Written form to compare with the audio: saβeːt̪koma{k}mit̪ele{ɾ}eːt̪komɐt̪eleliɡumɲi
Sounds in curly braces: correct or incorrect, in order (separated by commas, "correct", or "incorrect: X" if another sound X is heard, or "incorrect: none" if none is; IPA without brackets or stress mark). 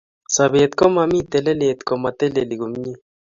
incorrect: none, incorrect: l